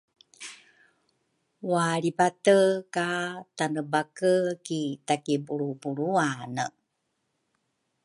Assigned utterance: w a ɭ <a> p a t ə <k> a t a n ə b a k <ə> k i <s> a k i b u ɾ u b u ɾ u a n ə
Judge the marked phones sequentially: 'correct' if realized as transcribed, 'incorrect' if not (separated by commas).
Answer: incorrect, correct, correct, incorrect